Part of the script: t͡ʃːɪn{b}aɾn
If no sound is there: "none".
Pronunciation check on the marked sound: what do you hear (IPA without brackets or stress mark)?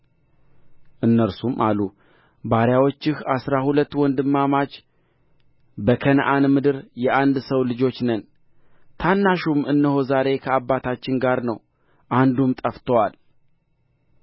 ɡ